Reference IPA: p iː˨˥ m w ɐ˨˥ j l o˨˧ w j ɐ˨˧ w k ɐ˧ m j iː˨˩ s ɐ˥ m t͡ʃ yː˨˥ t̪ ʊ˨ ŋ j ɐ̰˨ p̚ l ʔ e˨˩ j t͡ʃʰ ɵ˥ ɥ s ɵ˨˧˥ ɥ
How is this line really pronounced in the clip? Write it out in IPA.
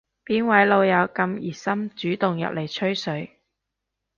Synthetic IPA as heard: p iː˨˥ n w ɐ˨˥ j l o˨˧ w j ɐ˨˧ w k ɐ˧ m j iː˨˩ s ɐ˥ m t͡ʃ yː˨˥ t̪ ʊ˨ ŋ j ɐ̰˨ p̚ l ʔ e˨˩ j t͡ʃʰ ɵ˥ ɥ s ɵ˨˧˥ ɥ